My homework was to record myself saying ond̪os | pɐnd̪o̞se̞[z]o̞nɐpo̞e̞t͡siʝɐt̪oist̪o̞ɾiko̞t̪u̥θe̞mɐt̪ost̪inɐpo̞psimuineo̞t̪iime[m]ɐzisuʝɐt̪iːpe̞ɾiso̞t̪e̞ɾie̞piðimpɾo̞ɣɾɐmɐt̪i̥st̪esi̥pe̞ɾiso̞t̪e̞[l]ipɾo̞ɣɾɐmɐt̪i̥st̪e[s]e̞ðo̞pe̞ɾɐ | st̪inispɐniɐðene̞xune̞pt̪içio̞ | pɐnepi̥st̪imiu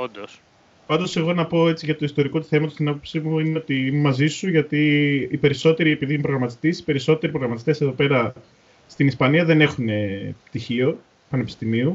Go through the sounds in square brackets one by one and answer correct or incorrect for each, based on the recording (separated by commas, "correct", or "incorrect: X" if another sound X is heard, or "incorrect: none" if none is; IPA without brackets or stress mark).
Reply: incorrect: ɣ, correct, incorrect: ɾ, correct